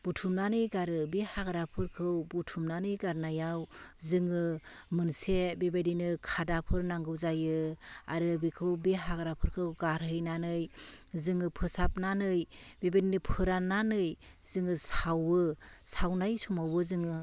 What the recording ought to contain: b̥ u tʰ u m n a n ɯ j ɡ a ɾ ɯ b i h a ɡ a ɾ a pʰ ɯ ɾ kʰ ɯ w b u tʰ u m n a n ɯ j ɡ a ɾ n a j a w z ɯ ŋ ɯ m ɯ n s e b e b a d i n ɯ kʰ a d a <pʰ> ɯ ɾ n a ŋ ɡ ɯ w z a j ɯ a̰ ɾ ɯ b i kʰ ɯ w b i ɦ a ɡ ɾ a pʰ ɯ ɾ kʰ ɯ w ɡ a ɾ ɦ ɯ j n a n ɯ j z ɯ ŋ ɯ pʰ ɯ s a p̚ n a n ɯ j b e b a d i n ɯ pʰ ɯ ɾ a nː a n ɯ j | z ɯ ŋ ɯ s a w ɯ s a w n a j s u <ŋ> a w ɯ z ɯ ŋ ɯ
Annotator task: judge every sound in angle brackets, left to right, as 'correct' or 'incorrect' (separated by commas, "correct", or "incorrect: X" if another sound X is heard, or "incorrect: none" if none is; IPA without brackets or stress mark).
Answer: correct, incorrect: m